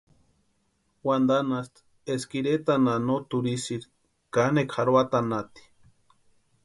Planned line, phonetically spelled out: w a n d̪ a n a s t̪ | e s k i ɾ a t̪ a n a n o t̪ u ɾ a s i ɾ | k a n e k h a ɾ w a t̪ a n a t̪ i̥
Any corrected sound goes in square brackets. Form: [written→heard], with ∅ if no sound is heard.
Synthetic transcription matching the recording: w a n d̪ a n a s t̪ | e s k i ɾ [a→e] t̪ a n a n o t̪ u ɾ [a→i] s i ɾ | k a n e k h a ɾ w a t̪ a n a t̪ i̥